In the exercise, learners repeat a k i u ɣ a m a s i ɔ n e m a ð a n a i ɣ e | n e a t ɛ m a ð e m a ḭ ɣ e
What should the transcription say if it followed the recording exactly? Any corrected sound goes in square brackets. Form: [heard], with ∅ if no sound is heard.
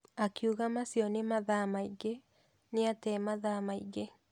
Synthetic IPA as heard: a k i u ɣ a m a s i ɔ n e m a ð a [m] a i ɣ e | n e a t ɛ m a ð [a] m a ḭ ɣ e